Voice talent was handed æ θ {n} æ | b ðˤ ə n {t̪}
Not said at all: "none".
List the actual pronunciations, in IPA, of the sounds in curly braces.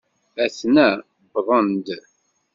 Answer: n, d̪

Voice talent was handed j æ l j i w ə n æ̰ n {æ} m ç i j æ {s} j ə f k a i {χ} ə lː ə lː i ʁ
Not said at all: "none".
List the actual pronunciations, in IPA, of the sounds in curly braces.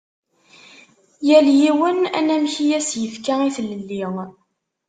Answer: æ, s, θ

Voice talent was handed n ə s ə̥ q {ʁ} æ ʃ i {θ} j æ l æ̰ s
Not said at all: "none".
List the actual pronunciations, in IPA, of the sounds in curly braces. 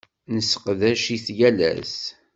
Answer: ð, θ

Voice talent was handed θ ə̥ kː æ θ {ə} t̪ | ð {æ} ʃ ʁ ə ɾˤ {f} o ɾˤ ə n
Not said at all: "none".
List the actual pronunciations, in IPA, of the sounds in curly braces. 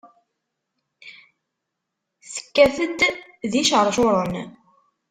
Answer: ə, i, ʃ

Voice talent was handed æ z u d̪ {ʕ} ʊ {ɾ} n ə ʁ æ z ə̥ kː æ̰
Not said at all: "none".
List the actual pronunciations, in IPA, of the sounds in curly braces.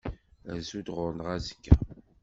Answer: ʁ, ɾ

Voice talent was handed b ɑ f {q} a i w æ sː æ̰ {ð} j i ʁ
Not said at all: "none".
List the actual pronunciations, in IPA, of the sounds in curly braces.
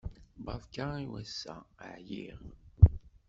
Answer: k, ʕ

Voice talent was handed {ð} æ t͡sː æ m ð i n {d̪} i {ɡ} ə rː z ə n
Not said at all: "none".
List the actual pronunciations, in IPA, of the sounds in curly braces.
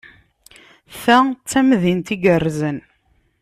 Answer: θ, t̪, ɡ

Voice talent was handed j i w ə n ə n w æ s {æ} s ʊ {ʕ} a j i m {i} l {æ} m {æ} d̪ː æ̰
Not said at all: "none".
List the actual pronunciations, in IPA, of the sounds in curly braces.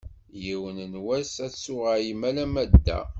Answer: æ, ʁ, æ, æ, æ

